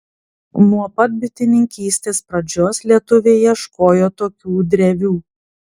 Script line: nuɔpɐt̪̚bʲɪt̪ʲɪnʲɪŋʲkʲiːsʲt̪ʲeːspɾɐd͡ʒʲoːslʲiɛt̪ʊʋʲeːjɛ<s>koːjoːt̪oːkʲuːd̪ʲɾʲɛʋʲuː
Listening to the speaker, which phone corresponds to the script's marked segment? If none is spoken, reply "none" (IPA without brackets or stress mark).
ʃ